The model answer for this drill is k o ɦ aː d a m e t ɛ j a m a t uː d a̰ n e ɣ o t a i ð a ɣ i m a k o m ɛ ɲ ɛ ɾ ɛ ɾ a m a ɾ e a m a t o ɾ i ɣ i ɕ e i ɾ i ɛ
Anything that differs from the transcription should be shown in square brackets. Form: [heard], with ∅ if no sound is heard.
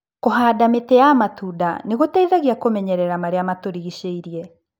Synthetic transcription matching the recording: k o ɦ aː d a m e t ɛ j a m a t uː d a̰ n e ɣ o t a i ð a ɣ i [∅] a k o m ɛ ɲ ɛ ɾ ɛ ɾ a m a ɾ e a m a t o ɾ i ɣ i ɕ e i ɾ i ɛ